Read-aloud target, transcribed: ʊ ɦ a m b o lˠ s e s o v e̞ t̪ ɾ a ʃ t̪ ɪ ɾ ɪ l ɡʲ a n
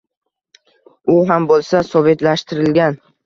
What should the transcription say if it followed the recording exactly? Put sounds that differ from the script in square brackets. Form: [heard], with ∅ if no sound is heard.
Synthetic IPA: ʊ ɦ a m b o lˠ s [a] s [ɒ] v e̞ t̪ [l] a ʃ t̪ ɪ ɾ ɪ l ɡʲ a n